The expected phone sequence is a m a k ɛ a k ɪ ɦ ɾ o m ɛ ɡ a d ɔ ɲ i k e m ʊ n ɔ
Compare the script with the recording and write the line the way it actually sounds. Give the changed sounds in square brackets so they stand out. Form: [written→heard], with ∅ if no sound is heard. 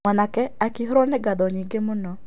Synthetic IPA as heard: a [m→n] a k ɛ a k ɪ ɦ ɾ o [m→n] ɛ ɡ a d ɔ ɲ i [k→ɡ] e m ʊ n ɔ

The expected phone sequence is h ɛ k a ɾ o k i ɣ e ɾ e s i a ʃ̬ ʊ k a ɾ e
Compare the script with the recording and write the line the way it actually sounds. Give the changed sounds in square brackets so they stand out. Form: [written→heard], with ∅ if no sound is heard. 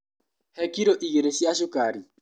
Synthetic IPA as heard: h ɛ k [a→i] ɾ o [k→ʔ] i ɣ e ɾ e s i a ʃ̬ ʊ k a ɾ [e→i]

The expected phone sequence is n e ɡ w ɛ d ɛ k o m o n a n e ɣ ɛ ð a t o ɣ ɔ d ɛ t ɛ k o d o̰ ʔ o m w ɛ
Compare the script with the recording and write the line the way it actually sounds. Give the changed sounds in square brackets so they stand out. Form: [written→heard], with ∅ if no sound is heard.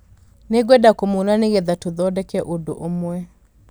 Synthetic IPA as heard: n e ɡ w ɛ d [ɛ→a] k o m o n a n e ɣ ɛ ð a t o [ɣ→ð] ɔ d ɛ [t→k] ɛ [k→ʔ] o d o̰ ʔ o m w ɛ

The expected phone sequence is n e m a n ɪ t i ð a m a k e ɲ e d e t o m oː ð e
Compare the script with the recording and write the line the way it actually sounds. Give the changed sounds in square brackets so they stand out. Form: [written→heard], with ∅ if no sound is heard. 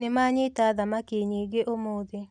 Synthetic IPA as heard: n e m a [n→ɲ] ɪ t [i→a] ð a m a k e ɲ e [d→ɡ] e [t→ʔ] o m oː ð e

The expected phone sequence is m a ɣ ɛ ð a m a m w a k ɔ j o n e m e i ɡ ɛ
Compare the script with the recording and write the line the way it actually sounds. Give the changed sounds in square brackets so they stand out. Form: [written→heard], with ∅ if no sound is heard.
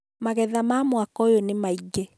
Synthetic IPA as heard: m a ɣ ɛ ð a m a m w a k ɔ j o n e m [e→a] i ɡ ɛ

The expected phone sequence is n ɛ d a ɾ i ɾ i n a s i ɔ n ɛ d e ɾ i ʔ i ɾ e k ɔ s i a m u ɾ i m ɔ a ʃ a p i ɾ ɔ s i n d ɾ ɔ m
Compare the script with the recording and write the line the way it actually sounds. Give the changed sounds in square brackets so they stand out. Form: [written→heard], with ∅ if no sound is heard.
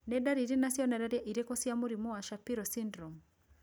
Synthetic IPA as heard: n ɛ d a ɾ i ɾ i n a s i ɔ n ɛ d [e→a] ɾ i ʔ i ɾ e k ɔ s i a m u ɾ i m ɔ a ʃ a p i ɾ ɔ s i n d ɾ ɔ m

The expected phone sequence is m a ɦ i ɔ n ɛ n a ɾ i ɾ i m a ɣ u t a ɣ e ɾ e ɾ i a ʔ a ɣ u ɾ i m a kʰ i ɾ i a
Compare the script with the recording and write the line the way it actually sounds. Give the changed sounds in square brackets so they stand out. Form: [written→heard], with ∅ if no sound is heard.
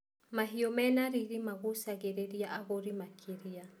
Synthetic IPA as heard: m a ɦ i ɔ [n→m] ɛ n a ɾ i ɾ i m a ɣ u [t→s] a ɣ e ɾ e ɾ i a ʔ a ɣ [u→o] ɾ i m a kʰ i ɾ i a

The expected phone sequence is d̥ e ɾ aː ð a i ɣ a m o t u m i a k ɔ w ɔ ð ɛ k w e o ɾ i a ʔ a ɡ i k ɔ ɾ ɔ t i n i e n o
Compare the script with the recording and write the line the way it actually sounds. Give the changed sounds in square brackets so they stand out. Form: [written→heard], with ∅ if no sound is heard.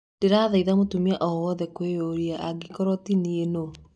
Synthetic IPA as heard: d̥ e ɾ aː ð a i [ɣ→ð] a m o t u m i a [k→ʔ] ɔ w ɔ ð ɛ k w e o ɾ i a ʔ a ɡ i k ɔ ɾ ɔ t i n i e n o

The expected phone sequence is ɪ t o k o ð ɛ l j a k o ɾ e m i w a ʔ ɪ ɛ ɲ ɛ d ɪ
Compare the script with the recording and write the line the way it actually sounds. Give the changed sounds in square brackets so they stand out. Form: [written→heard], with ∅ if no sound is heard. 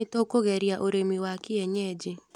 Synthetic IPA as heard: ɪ t o k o [ð→ɣ] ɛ [l→ɾ] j a [k→ʔ] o ɾ e m i w a [ʔ→k] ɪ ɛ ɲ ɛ [d→d͡ʒ] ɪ

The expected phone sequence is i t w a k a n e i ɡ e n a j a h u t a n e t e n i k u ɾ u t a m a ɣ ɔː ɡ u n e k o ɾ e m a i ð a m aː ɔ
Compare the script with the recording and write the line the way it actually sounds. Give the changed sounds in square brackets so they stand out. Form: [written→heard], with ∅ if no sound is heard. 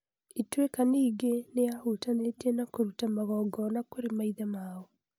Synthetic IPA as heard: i t w [a→e] k a n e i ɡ e n [a→e] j a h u t a n e t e n [i→a] k [u→o] ɾ u t a m a ɣ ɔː ɡ [u→ɔ] n [e→a] k o ɾ e m a i ð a m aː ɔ

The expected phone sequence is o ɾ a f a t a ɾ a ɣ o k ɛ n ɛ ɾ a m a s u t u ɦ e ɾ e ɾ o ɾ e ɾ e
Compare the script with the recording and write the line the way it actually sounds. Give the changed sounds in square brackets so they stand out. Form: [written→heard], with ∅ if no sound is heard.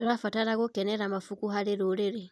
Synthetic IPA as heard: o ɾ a f a t a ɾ a ɣ o k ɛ n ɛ ɾ a m a [s→f] u [t→k] u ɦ [e→a] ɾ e ɾ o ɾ e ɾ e

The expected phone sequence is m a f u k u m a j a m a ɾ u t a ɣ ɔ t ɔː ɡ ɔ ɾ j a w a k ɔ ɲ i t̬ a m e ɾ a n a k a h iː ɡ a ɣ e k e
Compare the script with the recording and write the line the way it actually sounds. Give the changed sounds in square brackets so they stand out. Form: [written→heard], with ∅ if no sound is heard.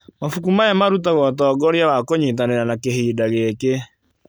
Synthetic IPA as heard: m a f u k u m a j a m a ɾ u t a ɣ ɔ t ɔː ɡ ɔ ɾ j a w a k [ɔ→o] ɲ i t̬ a [m→n] e ɾ a n a k [a→e] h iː [ɡ→d] a ɣ e k e

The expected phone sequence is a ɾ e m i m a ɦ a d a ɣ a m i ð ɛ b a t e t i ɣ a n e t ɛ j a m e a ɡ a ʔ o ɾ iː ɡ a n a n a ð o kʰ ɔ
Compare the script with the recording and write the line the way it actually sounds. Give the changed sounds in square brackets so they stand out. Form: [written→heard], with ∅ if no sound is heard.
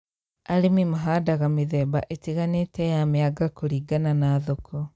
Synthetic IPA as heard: a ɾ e m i m a ɦ a d a ɣ a m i ð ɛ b a [t→ʔ] e t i ɣ a n e t ɛ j a m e a ɡ a [ʔ→k] o ɾ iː ɡ a n a n a ð o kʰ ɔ

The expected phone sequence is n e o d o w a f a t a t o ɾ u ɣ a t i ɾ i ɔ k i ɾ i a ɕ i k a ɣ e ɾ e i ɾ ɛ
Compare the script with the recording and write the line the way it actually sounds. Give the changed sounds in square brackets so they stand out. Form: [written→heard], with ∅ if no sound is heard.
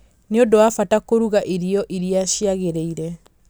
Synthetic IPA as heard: n e o d o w a f a t a [t→k] o ɾ u ɣ a [t→ʔ] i ɾ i ɔ [k→ʔ] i ɾ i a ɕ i [k→∅] a ɣ e ɾ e i ɾ ɛ

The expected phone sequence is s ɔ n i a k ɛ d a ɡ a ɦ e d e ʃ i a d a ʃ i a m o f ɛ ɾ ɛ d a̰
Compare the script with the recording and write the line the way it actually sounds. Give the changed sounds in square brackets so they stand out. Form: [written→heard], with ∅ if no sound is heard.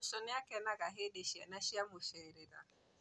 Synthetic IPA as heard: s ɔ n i a k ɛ [d→n] a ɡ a ɦ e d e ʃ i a [d→n] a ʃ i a m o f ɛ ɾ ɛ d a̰

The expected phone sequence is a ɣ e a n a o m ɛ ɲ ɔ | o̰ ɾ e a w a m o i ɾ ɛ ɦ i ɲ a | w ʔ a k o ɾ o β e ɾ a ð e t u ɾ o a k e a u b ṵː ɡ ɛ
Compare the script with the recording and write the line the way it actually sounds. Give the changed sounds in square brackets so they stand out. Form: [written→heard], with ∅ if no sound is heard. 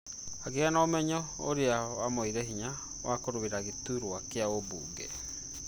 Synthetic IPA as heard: a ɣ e a n a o m ɛ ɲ ɔ | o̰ ɾ e a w a m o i ɾ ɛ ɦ i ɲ a | w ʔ a k o ɾ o β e ɾ a [ð→ɣ] e t u ɾ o a k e a [u→o] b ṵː ɡ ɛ

